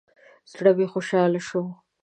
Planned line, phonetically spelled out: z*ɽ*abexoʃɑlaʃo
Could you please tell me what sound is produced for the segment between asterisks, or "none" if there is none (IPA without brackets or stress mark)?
ɽ